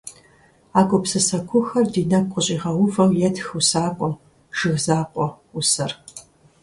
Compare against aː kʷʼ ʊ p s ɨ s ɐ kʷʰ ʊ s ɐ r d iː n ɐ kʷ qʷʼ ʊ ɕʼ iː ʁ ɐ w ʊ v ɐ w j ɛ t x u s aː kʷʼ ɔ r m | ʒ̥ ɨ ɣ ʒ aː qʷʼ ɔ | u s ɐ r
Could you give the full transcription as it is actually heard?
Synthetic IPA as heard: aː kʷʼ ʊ p s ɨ s ɐ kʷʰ ʊ x ɐ r d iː n ɐ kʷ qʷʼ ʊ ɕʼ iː ʁ ɐ w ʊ v ɐ w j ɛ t x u s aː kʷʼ ɔ m | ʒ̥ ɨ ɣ z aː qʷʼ ɔ | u s ɐ r